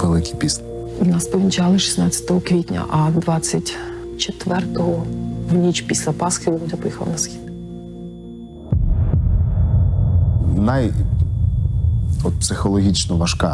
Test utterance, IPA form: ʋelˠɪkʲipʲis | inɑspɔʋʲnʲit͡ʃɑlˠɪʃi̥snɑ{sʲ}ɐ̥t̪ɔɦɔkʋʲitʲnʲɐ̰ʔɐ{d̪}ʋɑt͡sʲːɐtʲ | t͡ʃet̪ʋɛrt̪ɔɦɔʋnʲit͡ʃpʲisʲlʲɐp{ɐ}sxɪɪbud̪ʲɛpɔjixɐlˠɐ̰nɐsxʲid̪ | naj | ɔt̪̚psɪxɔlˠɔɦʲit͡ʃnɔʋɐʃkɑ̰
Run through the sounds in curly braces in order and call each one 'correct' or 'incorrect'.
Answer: incorrect, correct, incorrect

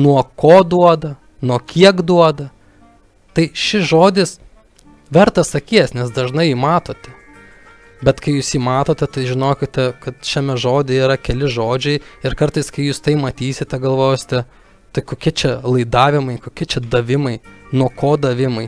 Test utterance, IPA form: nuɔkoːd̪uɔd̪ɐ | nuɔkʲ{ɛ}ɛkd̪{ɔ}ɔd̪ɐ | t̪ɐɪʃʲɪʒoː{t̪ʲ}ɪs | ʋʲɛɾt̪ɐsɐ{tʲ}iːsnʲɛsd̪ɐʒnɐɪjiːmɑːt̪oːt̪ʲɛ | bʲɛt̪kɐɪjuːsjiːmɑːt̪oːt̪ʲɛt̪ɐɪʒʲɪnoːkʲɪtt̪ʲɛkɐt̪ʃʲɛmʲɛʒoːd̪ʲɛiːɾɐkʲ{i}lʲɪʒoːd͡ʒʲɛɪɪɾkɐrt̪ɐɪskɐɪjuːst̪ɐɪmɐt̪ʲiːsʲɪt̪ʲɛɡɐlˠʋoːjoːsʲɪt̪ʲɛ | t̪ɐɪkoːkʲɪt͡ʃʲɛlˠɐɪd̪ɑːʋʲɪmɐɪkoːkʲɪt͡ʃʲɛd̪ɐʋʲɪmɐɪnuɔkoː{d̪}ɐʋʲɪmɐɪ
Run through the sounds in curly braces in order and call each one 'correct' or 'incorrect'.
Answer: incorrect, incorrect, incorrect, incorrect, incorrect, correct

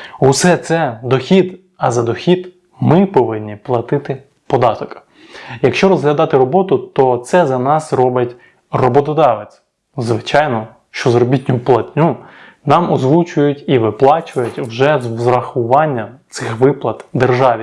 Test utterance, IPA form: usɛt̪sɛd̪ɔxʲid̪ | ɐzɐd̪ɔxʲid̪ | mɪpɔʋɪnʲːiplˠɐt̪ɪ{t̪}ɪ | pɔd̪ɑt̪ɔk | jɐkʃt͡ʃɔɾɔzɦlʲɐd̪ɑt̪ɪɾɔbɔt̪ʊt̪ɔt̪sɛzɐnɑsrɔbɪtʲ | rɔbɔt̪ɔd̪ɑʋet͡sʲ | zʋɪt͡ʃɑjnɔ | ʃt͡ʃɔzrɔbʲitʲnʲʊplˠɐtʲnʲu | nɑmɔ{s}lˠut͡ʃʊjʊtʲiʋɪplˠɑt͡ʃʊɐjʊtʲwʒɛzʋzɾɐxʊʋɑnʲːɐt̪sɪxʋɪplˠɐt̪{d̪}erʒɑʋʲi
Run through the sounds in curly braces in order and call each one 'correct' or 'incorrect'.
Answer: correct, incorrect, correct

